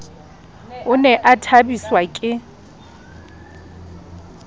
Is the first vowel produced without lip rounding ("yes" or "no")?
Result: no